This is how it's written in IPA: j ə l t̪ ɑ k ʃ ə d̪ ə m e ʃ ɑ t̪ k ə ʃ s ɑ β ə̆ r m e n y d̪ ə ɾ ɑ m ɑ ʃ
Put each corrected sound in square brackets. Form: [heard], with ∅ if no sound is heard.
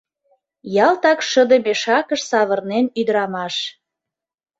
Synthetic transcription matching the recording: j [ɑ] l t̪ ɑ k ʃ ə d̪ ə m e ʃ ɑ [∅] k ə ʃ s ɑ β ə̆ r [n] e n y d̪ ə ɾ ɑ m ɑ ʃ